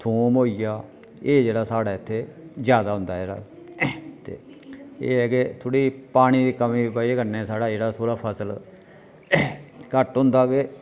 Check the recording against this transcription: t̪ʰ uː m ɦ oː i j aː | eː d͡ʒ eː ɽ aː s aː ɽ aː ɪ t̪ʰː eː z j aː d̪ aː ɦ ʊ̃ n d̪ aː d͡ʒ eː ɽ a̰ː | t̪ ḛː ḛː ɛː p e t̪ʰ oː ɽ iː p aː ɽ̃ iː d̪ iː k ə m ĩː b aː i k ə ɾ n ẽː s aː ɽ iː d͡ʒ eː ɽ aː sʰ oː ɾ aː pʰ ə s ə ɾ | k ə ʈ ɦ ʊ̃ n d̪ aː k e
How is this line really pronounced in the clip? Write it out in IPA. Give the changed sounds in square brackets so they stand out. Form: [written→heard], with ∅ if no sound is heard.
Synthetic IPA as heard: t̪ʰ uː m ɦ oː i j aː | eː d͡ʒ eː ɽ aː s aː ɽ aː ɪ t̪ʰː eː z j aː d̪ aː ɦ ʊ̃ n d̪ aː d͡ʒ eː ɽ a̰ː | t̪ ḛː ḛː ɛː [p→k] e t̪ʰ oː ɽ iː p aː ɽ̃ iː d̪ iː k ə m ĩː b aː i k ə ɾ n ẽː s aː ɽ [iː→aː] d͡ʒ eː ɽ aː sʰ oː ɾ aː pʰ ə s ə [ɾ→l] | k ə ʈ ɦ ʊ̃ n d̪ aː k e